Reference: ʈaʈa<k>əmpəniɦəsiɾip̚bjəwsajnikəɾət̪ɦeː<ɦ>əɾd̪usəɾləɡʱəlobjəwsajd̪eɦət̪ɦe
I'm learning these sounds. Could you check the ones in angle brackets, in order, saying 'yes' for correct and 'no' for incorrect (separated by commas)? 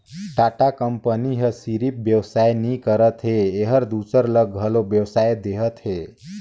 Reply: yes, yes